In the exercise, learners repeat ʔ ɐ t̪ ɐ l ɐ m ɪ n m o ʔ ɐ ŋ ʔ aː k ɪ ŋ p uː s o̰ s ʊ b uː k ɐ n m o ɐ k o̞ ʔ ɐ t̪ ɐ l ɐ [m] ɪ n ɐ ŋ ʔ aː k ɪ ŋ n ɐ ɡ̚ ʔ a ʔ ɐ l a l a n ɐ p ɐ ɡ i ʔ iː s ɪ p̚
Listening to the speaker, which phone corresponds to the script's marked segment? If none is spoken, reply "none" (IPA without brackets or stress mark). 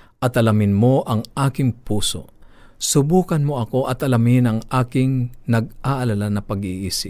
m